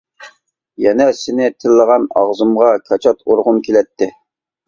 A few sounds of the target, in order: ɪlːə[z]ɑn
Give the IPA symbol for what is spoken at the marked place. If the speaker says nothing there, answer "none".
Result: ʁ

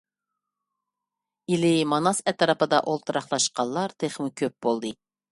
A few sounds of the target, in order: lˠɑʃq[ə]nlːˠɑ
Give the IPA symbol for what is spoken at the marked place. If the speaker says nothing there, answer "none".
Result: ɑ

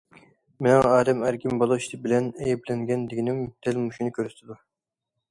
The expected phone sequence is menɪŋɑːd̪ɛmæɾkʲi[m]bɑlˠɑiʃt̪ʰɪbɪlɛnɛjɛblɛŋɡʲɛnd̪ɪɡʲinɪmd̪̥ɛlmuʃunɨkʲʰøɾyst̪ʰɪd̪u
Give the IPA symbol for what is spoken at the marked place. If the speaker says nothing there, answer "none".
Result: m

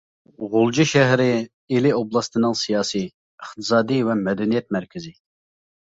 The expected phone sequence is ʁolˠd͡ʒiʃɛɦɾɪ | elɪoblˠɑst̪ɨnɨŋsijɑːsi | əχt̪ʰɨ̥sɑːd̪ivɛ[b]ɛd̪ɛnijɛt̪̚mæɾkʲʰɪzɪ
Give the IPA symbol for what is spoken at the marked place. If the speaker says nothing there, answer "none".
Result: m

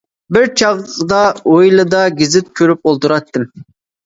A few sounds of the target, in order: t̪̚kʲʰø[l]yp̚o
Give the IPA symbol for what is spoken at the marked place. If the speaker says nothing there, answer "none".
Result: ɾ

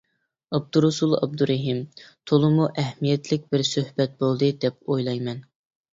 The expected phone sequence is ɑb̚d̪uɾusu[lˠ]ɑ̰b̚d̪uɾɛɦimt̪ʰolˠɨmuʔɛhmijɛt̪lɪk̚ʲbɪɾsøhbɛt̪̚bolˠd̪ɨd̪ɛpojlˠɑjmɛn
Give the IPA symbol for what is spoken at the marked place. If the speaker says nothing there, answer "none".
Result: lˠ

